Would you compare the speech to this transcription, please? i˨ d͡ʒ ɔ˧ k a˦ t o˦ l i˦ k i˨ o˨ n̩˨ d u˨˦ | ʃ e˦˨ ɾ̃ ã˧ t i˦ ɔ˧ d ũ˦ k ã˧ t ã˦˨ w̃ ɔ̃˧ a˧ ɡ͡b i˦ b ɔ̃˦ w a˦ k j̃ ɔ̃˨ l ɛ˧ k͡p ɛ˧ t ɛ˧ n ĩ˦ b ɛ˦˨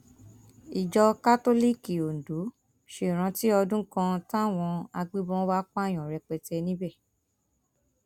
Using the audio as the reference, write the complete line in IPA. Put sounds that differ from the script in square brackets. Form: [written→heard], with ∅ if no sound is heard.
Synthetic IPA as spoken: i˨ d͡ʒ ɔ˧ k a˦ t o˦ l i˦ k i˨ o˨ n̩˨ d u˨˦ | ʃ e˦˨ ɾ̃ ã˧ t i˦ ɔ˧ d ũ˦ k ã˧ t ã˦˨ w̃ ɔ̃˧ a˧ ɡ͡b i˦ b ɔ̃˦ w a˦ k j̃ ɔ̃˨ [l→ɾ] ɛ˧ k͡p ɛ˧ t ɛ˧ n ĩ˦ b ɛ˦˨